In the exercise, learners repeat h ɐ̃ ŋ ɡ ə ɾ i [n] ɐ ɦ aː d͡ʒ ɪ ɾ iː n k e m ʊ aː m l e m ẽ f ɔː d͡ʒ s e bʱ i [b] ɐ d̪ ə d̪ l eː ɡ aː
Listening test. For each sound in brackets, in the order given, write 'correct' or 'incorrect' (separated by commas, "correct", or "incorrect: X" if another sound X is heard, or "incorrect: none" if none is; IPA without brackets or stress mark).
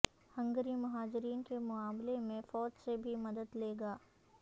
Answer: incorrect: m, incorrect: m